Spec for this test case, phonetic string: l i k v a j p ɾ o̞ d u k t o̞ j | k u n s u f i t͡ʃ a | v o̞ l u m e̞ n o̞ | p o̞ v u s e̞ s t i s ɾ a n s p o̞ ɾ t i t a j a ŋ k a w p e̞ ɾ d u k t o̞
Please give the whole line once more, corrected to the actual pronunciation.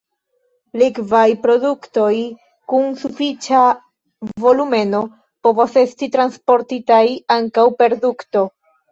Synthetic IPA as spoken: l i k v a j p ɾ o̞ d u k t o̞ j | k u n s u f i t͡ʃ a | v o̞ l u m e̞ n o̞ | p o̞ v o s e̞ s t i t ɾ a n s p o̞ ɾ t i t a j a ŋ k a w p e̞ ɾ d u k t o̞

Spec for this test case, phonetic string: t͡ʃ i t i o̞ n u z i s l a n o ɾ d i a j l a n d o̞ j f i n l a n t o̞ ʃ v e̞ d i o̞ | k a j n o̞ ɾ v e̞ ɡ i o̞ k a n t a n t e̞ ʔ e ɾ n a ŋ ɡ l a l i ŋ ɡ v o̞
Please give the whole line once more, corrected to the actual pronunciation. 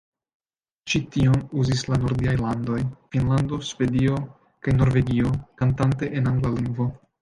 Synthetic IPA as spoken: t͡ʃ i t i o̞ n u z i s l a n o ɾ d i a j l a n d o̞ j f i n l a n d o̞ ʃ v e̞ d i o̞ | k a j n o̞ ɾ v e̞ ɡ i o̞ k a n t a n t e̞ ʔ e n a ŋ ɡ l a l i ŋ ɡ v o̞

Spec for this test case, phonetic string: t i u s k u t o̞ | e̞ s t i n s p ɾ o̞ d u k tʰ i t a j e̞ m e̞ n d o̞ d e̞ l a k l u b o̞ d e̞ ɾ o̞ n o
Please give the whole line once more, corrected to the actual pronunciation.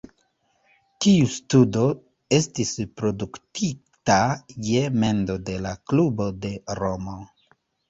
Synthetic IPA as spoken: t i u s t u d o̞ | e̞ s t i s p ɾ o̞ d u k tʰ i t a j e̞ m e̞ n d o̞ d e̞ l a k l u b o̞ d e̞ ɾ o̞ m o

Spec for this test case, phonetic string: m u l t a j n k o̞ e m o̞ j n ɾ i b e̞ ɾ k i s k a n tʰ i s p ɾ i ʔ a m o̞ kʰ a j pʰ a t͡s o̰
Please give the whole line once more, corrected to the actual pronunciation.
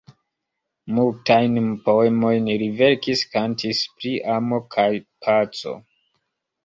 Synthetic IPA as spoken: m u l t a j n p o̞ e m o̞ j n ɾ i v e̞ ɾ k i s k a n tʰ i s p ɾ i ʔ a m o̞ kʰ a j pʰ a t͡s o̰

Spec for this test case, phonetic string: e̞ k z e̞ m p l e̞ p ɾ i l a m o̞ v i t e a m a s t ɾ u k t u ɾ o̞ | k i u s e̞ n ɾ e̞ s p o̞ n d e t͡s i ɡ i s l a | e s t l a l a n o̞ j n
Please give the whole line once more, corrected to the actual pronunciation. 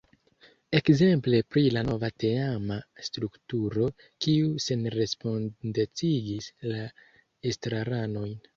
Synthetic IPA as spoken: e̞ k z e̞ m p l e̞ p ɾ i l a n o̞ v a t e a m a s t ɾ u k t u ɾ o̞ | k i u s e̞ n ɾ e̞ s p o̞ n d e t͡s i ɡ i s l a | e s t ɾ a ɾ a n o̞ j n

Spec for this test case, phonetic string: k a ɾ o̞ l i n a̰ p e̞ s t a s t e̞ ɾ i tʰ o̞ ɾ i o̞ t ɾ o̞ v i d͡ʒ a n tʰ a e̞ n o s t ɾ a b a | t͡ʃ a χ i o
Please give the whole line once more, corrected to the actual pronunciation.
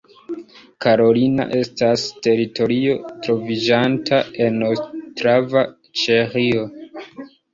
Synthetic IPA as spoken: k a ɾ o̞ l i n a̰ ʔ e̞ s t a s t e̞ ɾ i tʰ o̞ ɾ i o̞ t ɾ o̞ v i d͡ʒ a n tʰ a e̞ n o s t ɾ a v a | t͡ʃ e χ i o

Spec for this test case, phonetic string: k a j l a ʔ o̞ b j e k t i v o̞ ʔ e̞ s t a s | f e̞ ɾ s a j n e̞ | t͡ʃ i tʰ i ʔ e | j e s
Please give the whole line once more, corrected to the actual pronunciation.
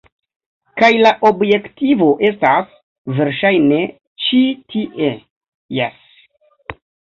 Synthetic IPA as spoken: k a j l a ʔ o̞ b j e k t i v o̞ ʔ e̞ s t a s | v e̞ ɾ ʃ a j n e̞ | t͡ʃ i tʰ i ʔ e | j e s

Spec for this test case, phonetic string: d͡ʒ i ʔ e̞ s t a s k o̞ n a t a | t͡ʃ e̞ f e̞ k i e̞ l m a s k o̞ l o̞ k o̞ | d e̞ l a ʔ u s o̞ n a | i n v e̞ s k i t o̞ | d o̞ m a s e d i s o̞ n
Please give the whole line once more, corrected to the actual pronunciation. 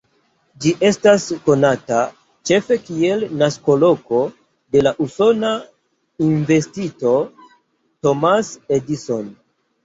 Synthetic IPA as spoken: d͡ʒ i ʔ e̞ s t a s k o̞ n a t a | t͡ʃ e̞ f e̞ k i e̞ l n a s k o̞ l o̞ k o̞ | d e̞ l a ʔ u s o̞ n a | i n v e̞ s t i t o̞ | t o̞ m a s e d i s o̞ n

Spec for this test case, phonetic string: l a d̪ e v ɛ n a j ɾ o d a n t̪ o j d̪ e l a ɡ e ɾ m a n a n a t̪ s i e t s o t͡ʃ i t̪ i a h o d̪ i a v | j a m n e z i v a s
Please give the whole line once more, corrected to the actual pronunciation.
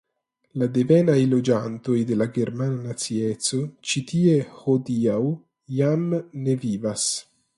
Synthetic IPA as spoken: l a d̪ e v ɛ n a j l o d͡ʒ a n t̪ o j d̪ e l a ɡ e ɾ m a n a n a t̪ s i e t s o t͡ʃ i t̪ i e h o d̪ i a w | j a m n e v i v a s

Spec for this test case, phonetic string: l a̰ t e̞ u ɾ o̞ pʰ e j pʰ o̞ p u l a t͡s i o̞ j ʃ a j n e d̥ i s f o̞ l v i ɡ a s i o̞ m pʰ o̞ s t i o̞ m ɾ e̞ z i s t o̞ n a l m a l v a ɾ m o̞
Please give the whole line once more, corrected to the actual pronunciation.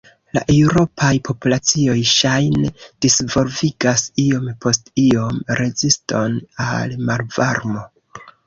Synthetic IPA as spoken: l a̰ ʔ e̞ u ɾ o̞ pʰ a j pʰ o̞ p u l a t͡s i o̞ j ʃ a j n e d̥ i s v o̞ l v i ɡ a s i o̞ m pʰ o̞ s t i o̞ m ɾ e̞ z i s t o̞ n a l m a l v a ɾ m o̞

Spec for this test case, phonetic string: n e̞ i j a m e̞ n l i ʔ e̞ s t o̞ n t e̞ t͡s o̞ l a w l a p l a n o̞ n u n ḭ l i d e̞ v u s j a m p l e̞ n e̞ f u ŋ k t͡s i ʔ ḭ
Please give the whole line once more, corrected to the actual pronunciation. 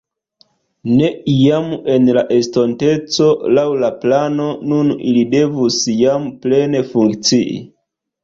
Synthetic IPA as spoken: n e̞ i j a m e̞ n l a ʔ e̞ s t o̞ n t e̞ t͡s o̞ l a w l a p l a n o̞ n u n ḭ l i d e̞ v u s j a m p l e̞ n e̞ f u ŋ k t͡s i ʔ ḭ

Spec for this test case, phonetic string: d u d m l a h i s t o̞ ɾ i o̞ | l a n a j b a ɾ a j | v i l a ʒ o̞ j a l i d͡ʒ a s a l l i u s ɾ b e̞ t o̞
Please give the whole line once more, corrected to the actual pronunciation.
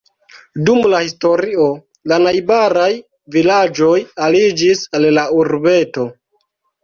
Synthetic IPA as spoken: d u m l a h i s t o̞ ɾ i o̞ | l a n a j b a ɾ a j | v i l a d͡ʒ o̞ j a l i d͡ʒ i s a l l a u ɾ b e̞ t o̞

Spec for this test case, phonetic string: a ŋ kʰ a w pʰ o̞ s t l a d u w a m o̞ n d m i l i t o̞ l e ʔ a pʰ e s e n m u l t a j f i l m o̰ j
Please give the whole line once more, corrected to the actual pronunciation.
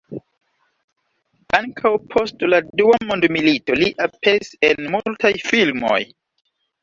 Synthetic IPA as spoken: a ŋ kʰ a w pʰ o̞ s t l a d u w a m o̞ n d m i l i t o̞ l i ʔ a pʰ e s e n m u l t a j f i l m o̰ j

